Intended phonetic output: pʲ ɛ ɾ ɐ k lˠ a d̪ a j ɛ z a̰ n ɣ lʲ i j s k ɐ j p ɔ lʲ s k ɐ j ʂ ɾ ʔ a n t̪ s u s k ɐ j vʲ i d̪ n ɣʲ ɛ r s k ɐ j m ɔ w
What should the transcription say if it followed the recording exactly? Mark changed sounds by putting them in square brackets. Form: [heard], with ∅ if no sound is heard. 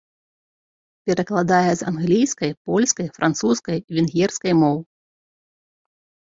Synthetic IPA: pʲ ɛ ɾ ɐ k lˠ a d̪ a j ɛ z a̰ n ɣ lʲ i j s k ɐ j p ɔ lʲ s k ɐ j [f] ɾ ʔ a n t̪ s u s k ɐ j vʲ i [∅] n ɣʲ ɛ r s k ɐ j m ɔ w